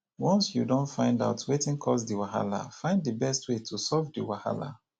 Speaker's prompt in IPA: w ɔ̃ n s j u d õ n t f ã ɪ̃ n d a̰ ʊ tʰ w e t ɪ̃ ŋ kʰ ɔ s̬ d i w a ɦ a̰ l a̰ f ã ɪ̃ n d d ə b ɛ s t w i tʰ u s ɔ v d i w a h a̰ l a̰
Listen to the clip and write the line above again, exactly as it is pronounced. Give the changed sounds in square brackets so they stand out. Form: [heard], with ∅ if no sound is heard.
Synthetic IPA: w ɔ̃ n s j u d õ n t f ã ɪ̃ n d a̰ ʊ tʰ w e t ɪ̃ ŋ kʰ ɔ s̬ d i w a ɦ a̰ l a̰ f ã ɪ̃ n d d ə b ɛ s t w [e] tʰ u s ɔ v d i w a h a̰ l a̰